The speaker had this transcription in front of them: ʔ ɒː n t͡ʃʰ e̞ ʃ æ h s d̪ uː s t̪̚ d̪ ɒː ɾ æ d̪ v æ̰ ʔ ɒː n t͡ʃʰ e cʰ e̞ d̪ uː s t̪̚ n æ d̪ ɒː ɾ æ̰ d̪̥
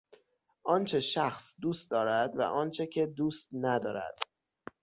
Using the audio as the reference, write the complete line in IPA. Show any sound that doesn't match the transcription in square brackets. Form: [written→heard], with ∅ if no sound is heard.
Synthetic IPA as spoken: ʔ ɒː n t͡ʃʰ e̞ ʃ æ [h→x] s d̪ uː s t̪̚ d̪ ɒː ɾ æ d̪ v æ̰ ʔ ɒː n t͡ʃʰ e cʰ e̞ d̪ uː s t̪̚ n æ d̪ ɒː ɾ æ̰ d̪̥

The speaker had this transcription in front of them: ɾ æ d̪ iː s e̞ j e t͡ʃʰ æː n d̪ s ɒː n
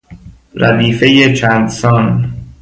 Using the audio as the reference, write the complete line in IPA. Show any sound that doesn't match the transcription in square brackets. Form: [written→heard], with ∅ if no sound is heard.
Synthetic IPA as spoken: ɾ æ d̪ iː [s→f] e̞ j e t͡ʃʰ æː n d̪ s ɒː n

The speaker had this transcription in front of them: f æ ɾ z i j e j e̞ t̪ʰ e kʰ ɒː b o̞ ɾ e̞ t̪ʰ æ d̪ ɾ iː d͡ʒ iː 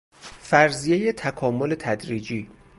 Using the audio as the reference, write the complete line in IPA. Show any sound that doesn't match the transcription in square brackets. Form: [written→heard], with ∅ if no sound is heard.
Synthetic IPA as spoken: f æ ɾ z i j e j e̞ t̪ʰ [e→æ] kʰ ɒː [b→m] o̞ [ɾ→l] e̞ t̪ʰ æ d̪ ɾ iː d͡ʒ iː

